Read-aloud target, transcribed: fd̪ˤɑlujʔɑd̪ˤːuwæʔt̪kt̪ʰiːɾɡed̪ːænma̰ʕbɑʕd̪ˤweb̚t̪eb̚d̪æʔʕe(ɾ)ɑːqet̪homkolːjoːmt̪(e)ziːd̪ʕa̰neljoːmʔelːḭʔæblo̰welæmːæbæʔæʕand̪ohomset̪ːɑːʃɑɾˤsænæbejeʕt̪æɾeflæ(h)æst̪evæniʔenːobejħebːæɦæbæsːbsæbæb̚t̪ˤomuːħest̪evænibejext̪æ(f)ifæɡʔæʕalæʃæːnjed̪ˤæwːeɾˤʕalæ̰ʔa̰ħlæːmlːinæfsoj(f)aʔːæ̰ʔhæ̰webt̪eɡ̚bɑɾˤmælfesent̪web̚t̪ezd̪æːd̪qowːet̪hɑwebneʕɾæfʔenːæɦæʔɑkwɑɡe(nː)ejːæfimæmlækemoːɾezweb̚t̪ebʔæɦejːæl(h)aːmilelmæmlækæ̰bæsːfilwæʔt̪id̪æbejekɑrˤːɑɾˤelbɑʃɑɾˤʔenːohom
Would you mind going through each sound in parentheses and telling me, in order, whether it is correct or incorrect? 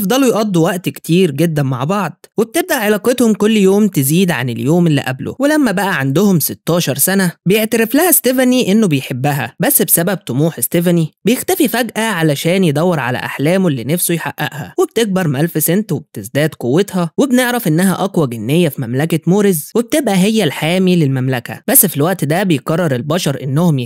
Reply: incorrect: l, correct, correct, correct, incorrect: ħ, correct, incorrect: ħ

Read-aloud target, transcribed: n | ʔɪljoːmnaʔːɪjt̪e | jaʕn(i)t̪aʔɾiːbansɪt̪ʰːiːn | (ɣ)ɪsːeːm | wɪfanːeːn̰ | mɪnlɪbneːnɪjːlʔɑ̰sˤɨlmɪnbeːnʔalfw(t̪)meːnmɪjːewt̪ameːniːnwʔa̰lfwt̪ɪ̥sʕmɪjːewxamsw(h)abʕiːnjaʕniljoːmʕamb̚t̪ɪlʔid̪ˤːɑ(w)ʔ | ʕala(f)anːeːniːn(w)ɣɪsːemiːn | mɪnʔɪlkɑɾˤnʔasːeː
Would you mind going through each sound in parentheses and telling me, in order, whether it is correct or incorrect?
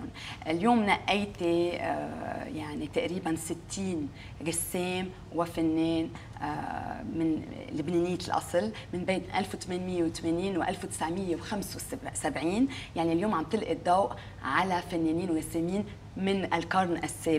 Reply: correct, correct, correct, incorrect: s, correct, correct, correct

